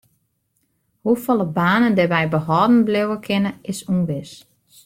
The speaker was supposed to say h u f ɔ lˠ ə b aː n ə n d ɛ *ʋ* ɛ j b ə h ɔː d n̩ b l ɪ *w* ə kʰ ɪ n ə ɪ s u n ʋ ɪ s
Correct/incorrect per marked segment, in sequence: correct, correct

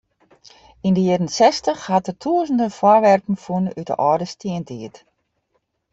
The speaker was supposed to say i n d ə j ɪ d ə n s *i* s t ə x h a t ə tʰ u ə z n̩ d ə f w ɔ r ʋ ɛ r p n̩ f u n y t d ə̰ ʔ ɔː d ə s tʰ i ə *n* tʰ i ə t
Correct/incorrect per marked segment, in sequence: incorrect, correct

